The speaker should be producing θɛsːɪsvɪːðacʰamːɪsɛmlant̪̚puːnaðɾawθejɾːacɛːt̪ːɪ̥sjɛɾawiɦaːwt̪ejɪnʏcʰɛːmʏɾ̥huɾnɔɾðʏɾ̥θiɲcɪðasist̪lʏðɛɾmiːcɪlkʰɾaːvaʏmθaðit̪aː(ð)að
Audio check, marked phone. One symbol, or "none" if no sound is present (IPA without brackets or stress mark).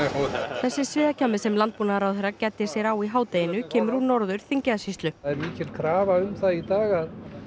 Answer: ɣ